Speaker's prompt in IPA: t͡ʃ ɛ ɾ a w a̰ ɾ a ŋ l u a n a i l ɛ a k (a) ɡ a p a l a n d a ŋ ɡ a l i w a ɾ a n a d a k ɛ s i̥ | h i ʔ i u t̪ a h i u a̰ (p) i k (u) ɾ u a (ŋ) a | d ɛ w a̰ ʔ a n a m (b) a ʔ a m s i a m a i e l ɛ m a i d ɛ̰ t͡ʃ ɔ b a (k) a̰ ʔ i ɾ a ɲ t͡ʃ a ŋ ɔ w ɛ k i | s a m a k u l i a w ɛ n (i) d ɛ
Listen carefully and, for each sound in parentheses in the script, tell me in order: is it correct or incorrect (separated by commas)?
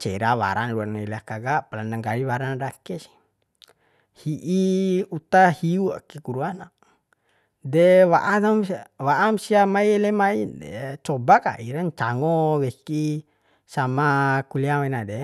correct, incorrect, correct, incorrect, incorrect, correct, incorrect